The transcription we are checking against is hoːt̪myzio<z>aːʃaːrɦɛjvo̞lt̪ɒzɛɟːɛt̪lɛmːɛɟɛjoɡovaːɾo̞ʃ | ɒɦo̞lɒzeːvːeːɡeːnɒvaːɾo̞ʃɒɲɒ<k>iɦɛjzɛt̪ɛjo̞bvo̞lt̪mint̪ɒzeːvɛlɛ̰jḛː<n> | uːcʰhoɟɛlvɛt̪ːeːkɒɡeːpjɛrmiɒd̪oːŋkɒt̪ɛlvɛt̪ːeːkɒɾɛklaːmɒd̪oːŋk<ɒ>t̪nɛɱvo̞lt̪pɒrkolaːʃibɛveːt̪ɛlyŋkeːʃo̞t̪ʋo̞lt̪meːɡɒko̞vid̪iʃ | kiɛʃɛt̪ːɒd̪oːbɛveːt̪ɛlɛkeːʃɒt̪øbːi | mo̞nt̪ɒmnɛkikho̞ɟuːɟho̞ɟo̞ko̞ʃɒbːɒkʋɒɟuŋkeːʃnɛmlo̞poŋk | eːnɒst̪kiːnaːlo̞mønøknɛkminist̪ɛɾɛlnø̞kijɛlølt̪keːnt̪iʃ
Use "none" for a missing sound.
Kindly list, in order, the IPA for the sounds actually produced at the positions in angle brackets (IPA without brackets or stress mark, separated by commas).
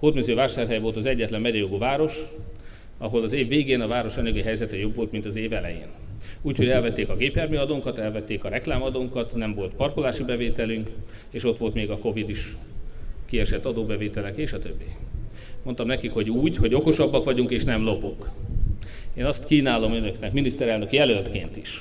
v, ɡ, n, ɒ